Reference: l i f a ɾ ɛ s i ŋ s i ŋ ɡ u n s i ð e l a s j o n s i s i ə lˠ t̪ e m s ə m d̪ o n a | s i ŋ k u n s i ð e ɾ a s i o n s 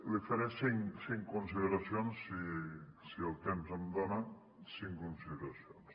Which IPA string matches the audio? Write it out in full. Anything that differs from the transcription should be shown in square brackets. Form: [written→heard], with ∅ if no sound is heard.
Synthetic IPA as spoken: l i f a ɾ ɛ s i ŋ s i ŋ [ɡ→k] u n s i ð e [l→ɾ] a s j o n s i s i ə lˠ t̪ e m [s→z] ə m d̪ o n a | s i ŋ k u n s i ð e ɾ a s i o n s